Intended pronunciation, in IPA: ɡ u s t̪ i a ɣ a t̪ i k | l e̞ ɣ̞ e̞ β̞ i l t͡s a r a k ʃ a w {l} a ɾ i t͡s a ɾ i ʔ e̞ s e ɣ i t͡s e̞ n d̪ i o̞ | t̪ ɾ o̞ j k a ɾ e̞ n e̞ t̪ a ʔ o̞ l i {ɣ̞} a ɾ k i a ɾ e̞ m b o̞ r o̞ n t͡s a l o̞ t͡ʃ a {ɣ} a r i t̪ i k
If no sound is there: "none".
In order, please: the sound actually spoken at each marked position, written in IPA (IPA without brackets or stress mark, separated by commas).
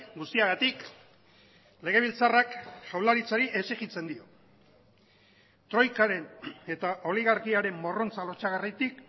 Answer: l, ɣ̞, ɣ